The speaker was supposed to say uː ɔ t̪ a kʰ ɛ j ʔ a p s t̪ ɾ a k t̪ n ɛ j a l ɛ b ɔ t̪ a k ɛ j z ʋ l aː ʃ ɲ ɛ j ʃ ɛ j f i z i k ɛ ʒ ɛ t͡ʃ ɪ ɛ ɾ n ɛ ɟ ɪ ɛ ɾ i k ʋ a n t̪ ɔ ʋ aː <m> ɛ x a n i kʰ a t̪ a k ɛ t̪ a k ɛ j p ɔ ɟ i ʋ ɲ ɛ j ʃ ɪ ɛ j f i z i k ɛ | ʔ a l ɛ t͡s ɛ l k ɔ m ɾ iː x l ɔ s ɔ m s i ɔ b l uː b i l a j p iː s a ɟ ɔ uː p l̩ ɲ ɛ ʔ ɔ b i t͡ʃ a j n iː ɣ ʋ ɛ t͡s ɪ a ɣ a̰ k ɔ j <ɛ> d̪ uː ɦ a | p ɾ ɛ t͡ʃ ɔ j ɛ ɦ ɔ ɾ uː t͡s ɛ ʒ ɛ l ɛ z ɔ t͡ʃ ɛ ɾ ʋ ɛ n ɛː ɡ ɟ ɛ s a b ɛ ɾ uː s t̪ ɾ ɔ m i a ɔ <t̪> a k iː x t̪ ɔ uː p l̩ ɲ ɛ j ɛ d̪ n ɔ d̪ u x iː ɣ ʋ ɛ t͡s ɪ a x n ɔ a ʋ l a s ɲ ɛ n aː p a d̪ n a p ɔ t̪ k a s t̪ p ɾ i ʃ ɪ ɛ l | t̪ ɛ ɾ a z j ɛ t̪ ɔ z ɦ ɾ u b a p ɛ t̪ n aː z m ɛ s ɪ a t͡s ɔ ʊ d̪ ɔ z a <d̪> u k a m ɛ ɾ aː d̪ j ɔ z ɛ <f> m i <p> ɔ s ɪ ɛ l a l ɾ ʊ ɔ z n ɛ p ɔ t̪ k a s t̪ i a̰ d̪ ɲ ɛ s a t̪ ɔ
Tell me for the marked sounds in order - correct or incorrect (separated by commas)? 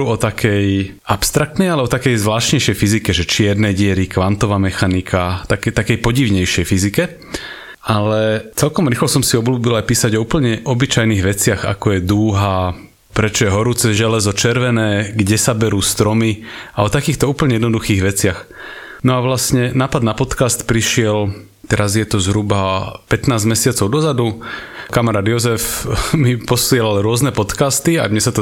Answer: correct, correct, correct, correct, correct, correct